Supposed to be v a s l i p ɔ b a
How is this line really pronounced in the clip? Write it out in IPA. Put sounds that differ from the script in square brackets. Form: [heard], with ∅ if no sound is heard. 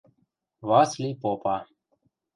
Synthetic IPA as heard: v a s l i p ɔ [p] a